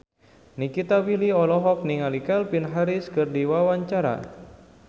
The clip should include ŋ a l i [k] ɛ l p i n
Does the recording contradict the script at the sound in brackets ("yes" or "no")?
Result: no